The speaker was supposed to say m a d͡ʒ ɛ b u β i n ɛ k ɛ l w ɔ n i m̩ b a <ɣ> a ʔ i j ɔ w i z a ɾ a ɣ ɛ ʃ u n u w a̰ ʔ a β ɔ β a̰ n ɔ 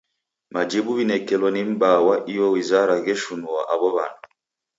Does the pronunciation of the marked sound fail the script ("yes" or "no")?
yes